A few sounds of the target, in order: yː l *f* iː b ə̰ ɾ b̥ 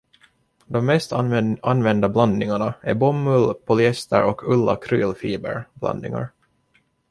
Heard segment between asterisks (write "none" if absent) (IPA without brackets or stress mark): f